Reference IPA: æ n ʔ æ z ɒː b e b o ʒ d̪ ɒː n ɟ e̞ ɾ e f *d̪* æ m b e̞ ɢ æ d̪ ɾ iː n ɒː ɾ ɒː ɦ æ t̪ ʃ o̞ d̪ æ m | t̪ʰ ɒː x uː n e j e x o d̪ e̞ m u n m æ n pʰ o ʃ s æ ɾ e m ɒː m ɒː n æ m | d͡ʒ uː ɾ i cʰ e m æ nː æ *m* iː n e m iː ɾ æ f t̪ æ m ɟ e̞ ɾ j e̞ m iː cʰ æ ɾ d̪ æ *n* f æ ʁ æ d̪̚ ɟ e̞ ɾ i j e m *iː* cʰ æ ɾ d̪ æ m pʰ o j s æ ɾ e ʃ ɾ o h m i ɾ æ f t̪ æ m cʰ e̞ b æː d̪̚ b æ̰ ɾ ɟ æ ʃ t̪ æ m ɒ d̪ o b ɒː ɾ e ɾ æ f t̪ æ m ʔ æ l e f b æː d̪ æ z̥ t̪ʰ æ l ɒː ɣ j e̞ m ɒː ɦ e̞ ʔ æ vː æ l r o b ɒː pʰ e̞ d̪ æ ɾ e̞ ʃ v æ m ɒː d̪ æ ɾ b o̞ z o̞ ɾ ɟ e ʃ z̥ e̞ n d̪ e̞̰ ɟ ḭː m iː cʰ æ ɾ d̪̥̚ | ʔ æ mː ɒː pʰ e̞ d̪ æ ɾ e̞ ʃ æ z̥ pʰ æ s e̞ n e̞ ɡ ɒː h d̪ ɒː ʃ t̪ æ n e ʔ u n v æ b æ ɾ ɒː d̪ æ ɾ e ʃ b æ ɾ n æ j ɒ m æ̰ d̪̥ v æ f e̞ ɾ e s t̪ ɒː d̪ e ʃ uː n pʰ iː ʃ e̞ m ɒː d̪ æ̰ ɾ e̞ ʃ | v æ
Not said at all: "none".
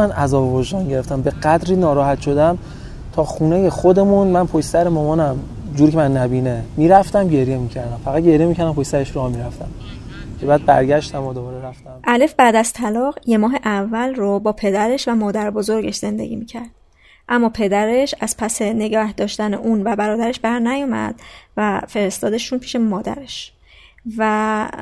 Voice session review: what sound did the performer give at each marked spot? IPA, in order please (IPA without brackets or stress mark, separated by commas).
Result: t̪, b, m, i